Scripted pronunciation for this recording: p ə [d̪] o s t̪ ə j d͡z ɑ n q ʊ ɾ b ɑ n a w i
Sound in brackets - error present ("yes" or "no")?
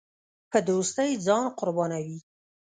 no